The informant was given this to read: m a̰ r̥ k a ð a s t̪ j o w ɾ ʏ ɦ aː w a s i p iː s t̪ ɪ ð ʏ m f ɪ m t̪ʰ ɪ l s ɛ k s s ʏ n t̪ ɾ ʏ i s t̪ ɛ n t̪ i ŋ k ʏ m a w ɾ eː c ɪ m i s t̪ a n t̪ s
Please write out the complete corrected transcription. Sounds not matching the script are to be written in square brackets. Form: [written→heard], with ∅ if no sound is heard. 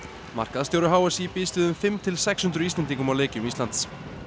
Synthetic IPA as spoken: m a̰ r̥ k a ð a s t̪ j o w ɾ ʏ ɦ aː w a s i p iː s t̪ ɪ ð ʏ m f ɪ m t̪ʰ ɪ l s ɛ k s [s→h] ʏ n t̪ ɾ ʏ i s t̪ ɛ n t̪ i ŋ k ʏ m a w [ɾ→l] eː c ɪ m i s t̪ a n t̪ s